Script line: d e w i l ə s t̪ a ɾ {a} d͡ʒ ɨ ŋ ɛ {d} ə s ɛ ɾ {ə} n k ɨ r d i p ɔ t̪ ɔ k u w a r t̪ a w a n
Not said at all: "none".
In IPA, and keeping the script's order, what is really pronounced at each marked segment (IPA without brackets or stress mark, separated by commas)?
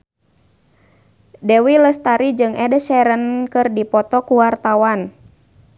i, d, ə